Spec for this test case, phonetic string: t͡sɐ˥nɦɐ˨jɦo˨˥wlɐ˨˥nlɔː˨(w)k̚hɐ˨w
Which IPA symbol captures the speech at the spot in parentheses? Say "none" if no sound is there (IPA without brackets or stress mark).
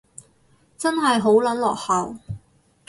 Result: none